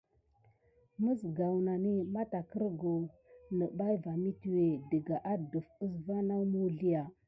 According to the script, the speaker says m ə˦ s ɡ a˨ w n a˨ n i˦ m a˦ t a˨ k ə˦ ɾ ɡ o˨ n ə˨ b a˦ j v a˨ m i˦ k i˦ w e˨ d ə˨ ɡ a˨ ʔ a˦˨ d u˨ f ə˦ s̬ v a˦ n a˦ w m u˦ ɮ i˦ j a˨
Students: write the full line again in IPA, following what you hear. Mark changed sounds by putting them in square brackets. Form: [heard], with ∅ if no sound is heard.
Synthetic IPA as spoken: m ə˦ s ɡ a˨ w n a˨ n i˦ m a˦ t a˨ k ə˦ ɾ ɡ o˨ n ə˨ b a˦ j v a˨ m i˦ [t] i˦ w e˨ d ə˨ ɡ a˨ ʔ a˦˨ d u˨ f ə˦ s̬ v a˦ n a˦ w m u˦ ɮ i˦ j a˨